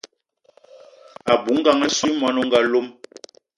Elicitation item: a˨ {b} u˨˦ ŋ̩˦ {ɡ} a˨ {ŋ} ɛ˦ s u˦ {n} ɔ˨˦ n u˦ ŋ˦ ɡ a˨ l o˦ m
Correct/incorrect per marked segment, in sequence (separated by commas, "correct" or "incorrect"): correct, correct, correct, incorrect